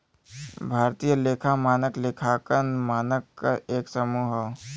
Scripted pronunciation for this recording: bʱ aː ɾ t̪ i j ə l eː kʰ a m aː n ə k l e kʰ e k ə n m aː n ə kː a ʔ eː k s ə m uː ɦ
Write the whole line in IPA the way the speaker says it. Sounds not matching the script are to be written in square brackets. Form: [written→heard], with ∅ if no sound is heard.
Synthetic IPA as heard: bʱ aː ɾ t̪ i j ə l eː kʰ a m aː n ə k l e kʰ [e→a] k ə n m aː n ə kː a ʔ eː k s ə m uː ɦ